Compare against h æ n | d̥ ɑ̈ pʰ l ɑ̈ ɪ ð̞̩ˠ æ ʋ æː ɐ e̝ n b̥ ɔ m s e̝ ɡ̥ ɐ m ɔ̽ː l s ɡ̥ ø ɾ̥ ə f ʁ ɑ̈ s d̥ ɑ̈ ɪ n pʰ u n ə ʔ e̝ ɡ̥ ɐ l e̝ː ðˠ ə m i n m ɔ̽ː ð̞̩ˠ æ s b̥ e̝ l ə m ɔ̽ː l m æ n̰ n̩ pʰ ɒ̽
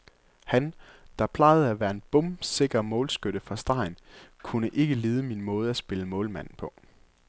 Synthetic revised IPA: h æ n | d̥ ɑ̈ pʰ l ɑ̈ ɪ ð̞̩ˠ æ ʋ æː ɐ e̝ n b̥ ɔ m s e̝ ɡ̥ ɐ m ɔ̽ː l s ɡ̥ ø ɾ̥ ə f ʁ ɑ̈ s d̥ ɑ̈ ɪ n kʰ u n ə ʔ e̝ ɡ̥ ə l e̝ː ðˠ ə m i n m ɔ̽ː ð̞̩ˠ æ s b̥ e̝ l ə m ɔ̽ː l m æ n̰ n̩ pʰ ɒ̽